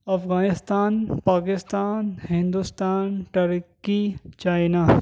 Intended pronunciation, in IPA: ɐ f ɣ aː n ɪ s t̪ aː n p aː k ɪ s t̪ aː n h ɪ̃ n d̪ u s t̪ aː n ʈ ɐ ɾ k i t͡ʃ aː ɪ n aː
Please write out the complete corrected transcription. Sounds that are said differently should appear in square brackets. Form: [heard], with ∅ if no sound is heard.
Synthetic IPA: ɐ f ɣ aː n ɪ s t̪ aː n p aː k ɪ s t̪ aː n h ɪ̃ n d̪ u s t̪ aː n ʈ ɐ ɾ k i t͡ʃ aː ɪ n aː